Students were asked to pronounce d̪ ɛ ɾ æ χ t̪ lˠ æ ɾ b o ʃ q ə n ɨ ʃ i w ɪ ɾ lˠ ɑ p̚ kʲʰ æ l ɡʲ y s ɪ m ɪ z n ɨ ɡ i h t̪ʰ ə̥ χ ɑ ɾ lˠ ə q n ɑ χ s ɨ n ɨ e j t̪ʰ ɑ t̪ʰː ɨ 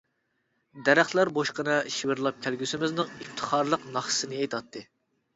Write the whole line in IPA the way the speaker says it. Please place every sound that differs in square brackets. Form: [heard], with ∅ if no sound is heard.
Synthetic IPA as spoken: d̪ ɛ ɾ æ χ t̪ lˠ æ ɾ b o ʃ q ə n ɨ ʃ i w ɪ ɾ lˠ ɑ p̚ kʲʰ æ l ɡʲ y s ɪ m ɪ z n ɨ [ŋ] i [f] t̪ʰ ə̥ χ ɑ ɾ lˠ ə q n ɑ χ s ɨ n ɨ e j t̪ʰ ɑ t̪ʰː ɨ